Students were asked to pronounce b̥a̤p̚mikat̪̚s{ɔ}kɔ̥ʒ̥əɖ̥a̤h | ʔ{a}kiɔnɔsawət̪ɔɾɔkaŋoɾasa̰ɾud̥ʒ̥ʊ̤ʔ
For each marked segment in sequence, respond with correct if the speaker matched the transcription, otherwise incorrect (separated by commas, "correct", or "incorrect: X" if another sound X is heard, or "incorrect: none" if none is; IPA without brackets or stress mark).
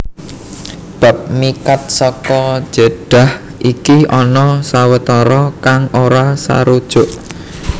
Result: correct, incorrect: i